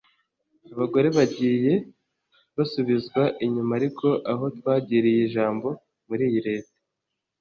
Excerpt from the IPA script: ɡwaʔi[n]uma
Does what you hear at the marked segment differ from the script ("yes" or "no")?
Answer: yes